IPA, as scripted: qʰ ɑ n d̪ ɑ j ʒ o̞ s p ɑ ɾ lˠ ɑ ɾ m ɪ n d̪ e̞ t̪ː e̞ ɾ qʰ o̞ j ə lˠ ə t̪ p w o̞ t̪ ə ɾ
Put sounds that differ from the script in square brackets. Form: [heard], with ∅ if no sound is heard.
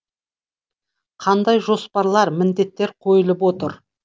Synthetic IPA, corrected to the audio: qʰ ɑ n d̪ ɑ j ʒ o̞ s p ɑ ɾ lˠ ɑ ɾ m ɪ n d̪ e̞ t̪ː e̞ ɾ qʰ o̞ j ə lˠ ə [∅] p w o̞ t̪ ə ɾ